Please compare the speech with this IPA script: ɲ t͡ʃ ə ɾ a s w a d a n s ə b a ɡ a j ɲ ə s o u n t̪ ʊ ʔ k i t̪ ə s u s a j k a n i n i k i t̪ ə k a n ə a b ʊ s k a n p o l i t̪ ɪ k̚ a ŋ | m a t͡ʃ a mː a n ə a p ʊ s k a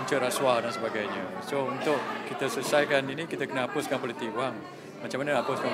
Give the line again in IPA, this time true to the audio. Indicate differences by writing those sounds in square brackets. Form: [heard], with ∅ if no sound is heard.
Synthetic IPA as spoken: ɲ t͡ʃ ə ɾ a s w a d a n s ə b a ɡ a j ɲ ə s o u n t̪ ʊ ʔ k i t̪ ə s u s a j k a n i n i k i t̪ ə k [ə] n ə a [p] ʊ s k a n p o l i t̪ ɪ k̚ a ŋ | m a t͡ʃ a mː a n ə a p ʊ s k a